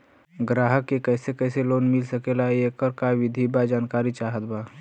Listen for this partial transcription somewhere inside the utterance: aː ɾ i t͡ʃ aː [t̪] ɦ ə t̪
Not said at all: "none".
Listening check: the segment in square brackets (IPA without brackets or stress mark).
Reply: none